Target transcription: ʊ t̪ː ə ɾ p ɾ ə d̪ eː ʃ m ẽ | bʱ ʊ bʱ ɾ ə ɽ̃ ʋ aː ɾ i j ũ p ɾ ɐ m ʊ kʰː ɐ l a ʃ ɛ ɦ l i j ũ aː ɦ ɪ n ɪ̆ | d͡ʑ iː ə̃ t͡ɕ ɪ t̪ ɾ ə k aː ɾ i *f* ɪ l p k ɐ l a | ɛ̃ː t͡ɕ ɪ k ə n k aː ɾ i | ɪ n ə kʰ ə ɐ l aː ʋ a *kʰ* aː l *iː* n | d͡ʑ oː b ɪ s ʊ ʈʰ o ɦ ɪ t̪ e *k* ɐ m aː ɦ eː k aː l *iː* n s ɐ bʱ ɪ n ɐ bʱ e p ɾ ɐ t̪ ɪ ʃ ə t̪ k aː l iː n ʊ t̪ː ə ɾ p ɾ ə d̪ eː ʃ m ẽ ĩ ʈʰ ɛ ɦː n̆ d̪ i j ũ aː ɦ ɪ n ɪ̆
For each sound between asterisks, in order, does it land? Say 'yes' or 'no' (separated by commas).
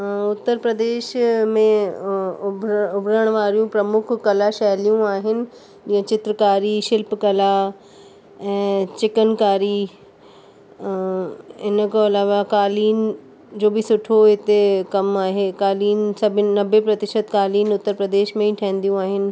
no, no, yes, yes, yes